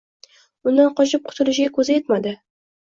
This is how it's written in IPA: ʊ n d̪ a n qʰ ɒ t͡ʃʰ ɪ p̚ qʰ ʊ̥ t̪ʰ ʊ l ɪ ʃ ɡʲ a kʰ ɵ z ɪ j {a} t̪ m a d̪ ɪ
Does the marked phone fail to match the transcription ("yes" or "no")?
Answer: yes